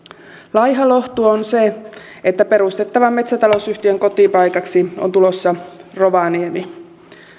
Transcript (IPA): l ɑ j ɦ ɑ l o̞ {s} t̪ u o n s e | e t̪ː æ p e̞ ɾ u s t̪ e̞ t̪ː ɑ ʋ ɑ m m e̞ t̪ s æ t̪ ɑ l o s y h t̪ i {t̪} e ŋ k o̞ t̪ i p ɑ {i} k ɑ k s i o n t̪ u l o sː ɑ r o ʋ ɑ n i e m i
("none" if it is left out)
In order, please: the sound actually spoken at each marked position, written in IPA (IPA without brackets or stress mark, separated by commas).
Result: h, none, j